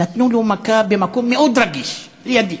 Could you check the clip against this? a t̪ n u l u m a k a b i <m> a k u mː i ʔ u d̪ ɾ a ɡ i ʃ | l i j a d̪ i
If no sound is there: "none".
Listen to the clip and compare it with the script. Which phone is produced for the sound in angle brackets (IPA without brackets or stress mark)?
m